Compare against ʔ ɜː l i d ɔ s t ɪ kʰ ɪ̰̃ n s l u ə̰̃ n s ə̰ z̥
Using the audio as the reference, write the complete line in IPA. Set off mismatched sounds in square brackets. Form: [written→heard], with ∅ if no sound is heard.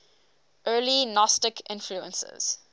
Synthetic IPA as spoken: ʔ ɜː l i [d→n] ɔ s t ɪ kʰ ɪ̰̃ n [s→f] l u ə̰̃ n s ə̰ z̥